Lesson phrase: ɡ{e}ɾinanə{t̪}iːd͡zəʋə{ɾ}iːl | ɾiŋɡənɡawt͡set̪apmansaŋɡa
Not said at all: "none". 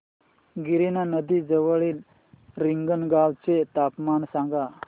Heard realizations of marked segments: i, d̪, ɭ

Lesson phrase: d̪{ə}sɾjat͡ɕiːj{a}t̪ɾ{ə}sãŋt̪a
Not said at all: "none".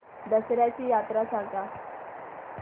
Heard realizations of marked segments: ə, a, a

